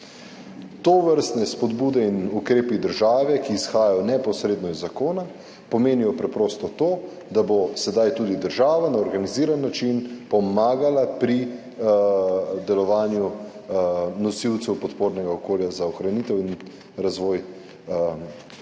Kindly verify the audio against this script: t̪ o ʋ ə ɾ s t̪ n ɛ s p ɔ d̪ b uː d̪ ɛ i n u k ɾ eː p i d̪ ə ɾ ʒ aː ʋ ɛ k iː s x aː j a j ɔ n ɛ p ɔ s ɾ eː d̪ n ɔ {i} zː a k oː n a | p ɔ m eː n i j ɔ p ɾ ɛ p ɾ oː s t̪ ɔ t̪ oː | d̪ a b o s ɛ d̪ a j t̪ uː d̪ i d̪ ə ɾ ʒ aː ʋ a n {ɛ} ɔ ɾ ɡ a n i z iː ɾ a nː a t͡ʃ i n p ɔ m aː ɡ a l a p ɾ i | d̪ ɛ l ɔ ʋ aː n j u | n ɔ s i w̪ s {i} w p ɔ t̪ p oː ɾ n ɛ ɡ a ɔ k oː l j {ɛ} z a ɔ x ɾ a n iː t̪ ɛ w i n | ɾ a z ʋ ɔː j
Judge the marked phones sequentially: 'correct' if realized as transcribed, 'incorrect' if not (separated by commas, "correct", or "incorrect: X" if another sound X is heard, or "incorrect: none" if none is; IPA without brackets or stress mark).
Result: correct, incorrect: a, incorrect: ɛ, incorrect: a